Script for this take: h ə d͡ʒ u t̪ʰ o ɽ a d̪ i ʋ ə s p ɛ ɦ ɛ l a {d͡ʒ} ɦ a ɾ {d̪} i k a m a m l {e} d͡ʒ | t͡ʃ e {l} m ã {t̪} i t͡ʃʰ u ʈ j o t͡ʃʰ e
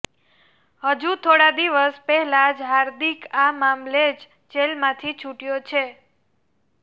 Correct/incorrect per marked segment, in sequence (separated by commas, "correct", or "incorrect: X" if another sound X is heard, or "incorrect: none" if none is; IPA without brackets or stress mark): correct, correct, correct, correct, incorrect: t̪ʰ